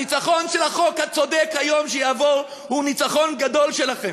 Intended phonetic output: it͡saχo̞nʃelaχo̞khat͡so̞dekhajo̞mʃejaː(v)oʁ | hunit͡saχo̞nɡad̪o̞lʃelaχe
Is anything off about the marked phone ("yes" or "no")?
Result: no